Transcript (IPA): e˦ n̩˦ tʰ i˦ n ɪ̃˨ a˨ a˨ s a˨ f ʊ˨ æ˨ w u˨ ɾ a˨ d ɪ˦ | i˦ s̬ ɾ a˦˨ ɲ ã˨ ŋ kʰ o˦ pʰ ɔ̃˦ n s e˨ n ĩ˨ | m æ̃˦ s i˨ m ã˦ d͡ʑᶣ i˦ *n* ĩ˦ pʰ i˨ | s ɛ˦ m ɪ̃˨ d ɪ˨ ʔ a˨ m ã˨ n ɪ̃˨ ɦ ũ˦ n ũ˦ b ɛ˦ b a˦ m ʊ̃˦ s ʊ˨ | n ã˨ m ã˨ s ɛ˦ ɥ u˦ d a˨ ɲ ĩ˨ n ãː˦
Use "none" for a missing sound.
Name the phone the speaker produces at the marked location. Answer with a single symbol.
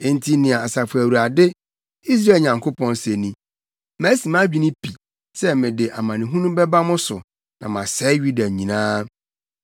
n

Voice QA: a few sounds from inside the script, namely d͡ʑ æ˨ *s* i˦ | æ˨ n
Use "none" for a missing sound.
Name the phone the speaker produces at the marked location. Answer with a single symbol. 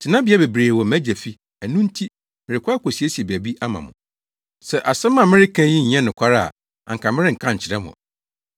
f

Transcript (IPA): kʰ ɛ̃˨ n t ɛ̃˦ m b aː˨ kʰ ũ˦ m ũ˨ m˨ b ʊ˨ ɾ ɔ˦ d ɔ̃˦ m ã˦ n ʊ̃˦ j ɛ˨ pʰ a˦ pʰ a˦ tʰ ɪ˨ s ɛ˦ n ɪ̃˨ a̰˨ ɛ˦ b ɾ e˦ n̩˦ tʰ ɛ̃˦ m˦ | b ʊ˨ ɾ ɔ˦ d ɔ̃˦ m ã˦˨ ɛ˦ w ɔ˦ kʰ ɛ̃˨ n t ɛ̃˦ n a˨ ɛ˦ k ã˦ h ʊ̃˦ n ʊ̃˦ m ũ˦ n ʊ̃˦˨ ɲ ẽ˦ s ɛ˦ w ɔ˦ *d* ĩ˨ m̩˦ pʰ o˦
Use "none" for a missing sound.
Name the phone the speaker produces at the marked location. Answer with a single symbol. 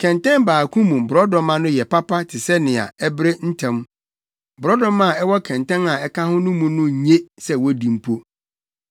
d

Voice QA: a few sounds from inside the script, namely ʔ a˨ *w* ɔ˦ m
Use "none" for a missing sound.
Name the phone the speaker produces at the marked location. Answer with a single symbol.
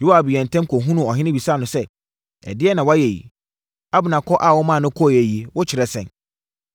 w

